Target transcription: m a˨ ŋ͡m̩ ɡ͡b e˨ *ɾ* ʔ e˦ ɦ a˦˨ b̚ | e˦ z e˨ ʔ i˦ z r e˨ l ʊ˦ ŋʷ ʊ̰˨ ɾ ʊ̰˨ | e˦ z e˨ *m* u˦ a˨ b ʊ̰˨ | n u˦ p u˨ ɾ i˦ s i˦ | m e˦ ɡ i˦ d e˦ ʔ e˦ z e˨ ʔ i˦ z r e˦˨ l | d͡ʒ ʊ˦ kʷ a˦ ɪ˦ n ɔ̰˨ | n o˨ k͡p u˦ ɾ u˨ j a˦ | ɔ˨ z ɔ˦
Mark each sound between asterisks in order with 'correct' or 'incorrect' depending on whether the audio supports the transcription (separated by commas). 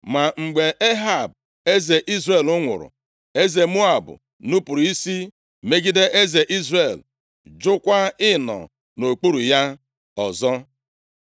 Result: incorrect, correct